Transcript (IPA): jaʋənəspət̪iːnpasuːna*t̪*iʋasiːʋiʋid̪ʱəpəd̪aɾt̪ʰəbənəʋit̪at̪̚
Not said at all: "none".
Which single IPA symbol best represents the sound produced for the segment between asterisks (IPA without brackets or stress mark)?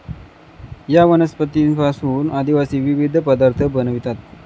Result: d̪